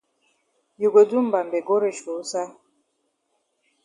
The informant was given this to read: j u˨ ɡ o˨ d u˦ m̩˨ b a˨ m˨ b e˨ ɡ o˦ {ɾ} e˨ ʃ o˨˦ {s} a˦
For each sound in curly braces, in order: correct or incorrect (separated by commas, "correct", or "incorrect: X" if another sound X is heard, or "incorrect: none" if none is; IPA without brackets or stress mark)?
correct, correct